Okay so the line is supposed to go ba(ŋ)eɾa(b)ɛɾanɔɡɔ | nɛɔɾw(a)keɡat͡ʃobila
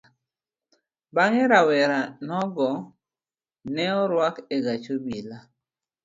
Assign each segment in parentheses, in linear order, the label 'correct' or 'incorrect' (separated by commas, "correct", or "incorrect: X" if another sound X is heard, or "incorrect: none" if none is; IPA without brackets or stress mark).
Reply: correct, incorrect: w, correct